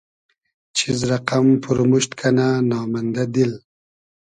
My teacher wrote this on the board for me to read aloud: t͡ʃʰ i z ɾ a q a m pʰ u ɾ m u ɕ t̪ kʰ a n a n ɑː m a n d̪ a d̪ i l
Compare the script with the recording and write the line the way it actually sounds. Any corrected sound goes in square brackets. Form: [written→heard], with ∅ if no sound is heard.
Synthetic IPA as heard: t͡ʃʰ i z ɾ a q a m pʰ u ɾ m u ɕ t̪ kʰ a n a n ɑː m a n d̪ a d̪ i l

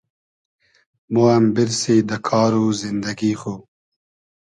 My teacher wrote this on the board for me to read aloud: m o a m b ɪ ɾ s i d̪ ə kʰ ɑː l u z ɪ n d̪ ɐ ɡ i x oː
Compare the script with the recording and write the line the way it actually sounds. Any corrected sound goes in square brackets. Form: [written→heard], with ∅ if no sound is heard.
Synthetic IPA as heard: m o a m b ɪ ɾ s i d̪ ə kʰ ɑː [l→ɾ] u z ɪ n d̪ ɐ ɡ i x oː

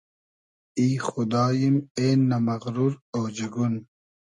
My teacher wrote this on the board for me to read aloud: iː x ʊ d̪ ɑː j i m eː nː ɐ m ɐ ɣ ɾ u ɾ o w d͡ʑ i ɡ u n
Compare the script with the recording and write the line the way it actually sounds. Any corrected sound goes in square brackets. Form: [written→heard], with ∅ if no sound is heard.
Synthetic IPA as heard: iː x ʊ d̪ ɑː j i m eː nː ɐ m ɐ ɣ ɾ u ɾ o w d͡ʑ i ɡ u n

